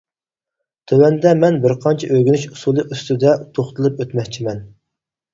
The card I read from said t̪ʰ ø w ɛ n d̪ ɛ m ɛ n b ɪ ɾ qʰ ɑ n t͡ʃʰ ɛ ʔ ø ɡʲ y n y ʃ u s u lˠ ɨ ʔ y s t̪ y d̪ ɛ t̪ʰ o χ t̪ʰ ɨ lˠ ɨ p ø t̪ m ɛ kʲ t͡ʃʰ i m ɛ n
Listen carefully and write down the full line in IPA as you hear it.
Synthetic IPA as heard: t̪ʰ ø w ɛ n d̪ ɛ m ɛ n b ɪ ɾ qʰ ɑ n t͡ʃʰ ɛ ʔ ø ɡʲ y n y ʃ u s u lˠ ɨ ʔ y s t̪ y d̪ ɛ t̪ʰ o χ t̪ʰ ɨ lˠ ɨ p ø t̪ m ɛ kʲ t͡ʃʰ i m ɛ n